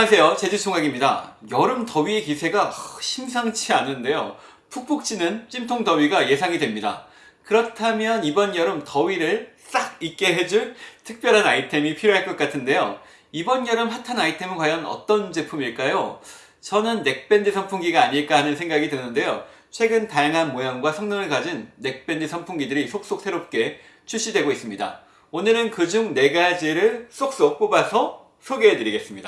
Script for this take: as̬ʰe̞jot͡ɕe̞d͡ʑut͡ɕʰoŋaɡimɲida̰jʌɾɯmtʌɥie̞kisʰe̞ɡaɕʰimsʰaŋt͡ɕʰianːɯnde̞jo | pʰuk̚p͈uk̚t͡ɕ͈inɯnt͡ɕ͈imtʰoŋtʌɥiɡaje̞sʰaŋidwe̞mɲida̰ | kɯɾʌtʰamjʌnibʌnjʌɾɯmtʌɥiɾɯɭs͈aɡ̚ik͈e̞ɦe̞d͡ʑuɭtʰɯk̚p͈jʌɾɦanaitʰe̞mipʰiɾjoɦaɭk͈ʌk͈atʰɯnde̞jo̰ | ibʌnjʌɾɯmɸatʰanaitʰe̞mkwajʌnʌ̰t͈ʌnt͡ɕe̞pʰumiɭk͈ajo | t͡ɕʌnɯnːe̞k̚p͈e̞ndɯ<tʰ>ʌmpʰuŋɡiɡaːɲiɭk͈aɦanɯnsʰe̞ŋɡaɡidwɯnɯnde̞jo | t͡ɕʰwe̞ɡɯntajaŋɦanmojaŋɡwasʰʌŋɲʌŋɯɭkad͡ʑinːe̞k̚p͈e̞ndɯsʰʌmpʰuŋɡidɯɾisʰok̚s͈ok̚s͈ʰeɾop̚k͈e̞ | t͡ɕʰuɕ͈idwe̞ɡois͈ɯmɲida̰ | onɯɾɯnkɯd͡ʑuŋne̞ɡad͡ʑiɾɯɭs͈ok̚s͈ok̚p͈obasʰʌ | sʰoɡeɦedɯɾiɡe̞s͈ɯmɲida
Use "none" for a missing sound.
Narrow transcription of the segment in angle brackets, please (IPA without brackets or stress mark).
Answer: sʰ